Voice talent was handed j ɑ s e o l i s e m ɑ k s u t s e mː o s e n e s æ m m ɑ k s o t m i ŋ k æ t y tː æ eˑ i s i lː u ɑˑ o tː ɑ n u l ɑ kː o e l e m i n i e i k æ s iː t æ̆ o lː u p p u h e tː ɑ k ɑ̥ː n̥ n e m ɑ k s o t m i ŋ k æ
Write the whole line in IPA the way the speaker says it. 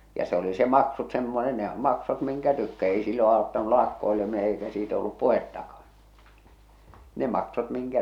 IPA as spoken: j ɑ s e o l i s e m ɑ k s u t s e mː o s e n e h æ m m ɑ k s o t m i ŋ k æ t y kː æ eˑ i s i lː o ɑˑ o tː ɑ n u l ɑ kː o e l e m i n e e i k æ s iː t æ̆ o lː u p p u h e tː ɑ k ɑ̥ː n̥ n e m ɑ k s o t m i ŋ k æ